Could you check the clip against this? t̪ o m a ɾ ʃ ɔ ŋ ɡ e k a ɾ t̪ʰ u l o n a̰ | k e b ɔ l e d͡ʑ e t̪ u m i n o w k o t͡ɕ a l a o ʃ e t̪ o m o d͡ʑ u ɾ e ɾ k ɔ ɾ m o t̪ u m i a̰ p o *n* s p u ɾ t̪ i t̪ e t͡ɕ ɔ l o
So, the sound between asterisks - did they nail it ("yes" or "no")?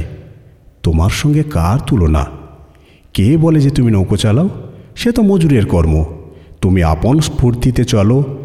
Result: yes